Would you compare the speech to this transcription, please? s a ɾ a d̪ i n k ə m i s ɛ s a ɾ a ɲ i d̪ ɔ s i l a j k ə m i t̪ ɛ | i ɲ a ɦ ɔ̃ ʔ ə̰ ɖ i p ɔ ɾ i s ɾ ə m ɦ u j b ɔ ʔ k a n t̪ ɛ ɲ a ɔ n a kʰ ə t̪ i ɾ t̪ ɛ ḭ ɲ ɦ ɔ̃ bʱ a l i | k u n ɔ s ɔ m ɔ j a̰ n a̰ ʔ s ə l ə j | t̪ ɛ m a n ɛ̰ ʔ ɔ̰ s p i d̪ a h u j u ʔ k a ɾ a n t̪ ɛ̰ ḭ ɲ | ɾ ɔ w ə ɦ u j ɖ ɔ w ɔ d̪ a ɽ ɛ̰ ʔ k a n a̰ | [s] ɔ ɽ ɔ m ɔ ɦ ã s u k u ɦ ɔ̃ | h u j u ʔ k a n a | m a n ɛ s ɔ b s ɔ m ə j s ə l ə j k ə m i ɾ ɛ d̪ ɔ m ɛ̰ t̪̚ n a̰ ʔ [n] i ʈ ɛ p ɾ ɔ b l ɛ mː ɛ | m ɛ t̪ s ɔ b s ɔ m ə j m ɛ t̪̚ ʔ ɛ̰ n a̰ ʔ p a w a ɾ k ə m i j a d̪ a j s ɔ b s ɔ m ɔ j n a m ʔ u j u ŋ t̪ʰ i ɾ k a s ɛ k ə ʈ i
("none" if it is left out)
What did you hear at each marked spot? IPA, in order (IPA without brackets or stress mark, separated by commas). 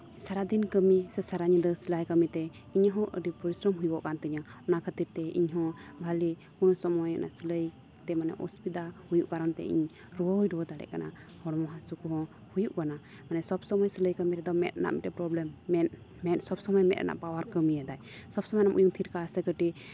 h, m